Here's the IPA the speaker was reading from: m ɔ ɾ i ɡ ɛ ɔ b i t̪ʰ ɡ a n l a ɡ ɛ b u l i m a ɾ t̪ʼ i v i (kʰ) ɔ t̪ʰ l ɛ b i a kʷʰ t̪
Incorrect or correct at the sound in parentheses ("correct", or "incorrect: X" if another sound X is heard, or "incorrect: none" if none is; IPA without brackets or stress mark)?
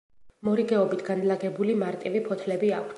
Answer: incorrect: pʰ